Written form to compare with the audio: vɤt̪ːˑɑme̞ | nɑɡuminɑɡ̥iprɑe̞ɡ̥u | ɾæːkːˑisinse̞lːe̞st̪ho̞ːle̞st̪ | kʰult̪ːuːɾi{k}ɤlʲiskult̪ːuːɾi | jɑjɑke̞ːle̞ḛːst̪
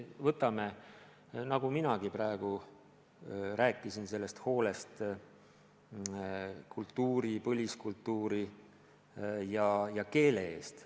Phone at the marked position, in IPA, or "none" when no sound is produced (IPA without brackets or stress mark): p